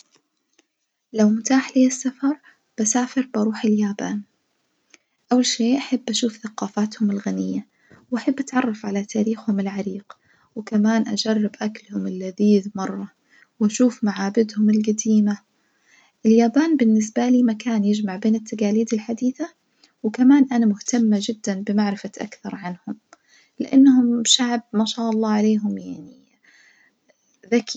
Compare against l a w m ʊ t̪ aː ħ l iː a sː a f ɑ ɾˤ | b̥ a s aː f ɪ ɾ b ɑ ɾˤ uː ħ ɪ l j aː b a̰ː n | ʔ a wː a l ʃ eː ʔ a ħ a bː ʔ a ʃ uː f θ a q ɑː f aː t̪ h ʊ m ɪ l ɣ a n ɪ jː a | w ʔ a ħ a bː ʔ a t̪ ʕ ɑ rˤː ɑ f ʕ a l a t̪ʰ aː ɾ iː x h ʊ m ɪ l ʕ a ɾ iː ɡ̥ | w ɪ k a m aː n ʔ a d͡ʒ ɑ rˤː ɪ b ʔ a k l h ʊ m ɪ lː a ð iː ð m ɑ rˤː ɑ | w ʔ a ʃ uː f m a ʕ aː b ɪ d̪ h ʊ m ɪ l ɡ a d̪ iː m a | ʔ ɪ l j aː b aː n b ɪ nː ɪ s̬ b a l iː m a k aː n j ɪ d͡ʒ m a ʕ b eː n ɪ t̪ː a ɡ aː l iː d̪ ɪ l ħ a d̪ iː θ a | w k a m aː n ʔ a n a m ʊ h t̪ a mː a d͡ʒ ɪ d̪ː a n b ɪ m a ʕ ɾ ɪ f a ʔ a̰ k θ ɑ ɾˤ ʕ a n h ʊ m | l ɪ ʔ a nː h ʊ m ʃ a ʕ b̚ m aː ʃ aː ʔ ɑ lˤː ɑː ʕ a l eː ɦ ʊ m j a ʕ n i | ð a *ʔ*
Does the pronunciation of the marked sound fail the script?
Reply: yes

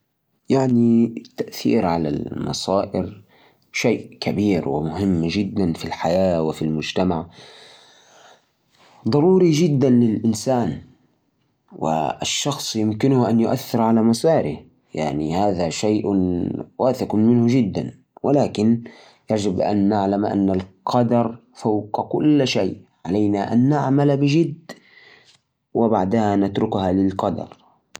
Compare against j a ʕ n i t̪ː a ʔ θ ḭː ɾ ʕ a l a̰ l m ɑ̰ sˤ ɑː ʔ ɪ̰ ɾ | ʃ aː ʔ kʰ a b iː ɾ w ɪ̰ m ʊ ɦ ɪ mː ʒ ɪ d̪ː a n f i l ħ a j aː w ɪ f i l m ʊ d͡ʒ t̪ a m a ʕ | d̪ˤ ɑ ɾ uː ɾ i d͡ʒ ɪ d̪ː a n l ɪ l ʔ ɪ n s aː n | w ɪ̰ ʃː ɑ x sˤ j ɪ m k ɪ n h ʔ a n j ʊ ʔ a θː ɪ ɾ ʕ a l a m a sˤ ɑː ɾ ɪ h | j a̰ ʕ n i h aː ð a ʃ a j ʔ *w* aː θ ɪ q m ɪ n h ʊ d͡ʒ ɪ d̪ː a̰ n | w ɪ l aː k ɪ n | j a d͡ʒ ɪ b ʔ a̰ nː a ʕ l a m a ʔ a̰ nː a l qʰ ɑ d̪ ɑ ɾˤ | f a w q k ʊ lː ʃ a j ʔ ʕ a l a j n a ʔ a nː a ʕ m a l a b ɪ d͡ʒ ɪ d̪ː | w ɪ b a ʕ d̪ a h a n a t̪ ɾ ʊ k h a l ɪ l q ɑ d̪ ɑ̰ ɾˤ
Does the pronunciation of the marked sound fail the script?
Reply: no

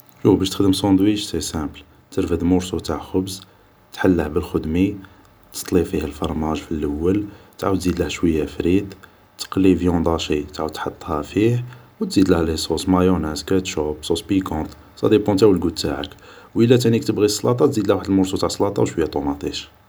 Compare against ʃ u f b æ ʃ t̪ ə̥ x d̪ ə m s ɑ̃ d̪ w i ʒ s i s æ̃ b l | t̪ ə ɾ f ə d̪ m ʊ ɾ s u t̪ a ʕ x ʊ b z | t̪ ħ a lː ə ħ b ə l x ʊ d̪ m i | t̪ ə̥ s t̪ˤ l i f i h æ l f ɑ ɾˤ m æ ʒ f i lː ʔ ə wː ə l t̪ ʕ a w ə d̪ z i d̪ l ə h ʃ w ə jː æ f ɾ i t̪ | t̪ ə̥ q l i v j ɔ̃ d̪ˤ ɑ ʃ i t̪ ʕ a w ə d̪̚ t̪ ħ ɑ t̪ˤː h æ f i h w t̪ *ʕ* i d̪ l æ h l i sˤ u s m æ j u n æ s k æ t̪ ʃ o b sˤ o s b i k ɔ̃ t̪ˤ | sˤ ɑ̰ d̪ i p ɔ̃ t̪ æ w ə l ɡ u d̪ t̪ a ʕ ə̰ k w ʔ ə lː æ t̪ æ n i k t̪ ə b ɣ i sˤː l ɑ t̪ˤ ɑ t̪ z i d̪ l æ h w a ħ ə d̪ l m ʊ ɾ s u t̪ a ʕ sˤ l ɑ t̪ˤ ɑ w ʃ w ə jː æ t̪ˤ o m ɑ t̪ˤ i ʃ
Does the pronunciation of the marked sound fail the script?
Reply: yes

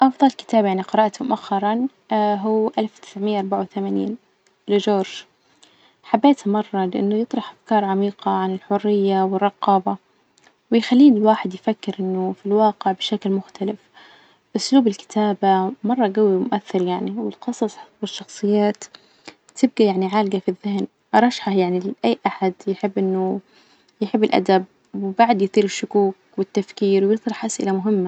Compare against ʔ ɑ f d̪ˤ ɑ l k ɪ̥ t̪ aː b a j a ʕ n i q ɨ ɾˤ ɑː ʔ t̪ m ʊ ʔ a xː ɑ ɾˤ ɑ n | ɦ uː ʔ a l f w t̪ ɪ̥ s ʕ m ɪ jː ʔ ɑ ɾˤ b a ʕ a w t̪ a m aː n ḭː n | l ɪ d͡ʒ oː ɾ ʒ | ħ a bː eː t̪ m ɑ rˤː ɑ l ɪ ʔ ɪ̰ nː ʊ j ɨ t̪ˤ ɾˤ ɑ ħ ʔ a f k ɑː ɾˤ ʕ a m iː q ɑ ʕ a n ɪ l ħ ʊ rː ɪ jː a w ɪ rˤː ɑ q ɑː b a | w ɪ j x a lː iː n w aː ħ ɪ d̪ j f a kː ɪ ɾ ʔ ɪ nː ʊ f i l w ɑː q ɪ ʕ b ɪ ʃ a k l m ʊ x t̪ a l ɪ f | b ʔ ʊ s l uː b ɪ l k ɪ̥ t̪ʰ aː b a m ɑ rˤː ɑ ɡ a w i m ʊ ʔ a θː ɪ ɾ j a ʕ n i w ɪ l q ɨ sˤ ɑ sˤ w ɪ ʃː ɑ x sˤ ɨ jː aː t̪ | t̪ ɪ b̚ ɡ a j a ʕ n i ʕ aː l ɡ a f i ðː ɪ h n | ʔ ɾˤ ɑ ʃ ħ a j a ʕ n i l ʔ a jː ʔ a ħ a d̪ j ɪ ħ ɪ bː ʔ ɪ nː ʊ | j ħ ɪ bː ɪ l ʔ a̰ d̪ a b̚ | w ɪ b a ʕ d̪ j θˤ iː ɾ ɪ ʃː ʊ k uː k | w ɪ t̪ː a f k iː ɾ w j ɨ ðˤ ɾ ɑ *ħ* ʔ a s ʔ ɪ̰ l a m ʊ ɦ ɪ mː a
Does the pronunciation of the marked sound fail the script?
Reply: no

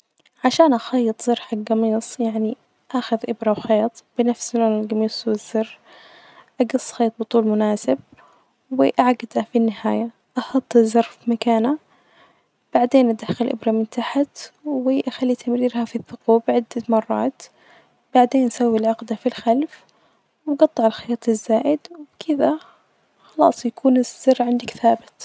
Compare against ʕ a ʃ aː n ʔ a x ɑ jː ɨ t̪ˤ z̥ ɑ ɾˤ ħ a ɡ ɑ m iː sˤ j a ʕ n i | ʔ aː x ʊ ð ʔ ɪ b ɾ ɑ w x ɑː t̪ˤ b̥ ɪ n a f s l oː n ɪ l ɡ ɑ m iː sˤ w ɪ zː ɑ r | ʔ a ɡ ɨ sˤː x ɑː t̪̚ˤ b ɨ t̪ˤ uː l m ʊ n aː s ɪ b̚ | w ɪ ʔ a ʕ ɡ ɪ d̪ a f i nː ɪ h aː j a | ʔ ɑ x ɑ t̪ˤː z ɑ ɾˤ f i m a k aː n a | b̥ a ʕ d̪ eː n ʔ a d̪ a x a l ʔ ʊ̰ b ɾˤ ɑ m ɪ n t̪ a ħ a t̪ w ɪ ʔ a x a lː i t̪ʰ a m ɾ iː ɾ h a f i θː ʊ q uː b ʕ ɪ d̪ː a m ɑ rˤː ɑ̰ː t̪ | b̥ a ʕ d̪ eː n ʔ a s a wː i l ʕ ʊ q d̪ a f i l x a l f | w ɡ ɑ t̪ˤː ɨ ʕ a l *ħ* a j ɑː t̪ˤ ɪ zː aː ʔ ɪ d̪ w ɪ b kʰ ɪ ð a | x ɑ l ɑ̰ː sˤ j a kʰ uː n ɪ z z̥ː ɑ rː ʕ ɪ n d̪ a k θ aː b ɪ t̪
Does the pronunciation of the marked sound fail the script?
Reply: yes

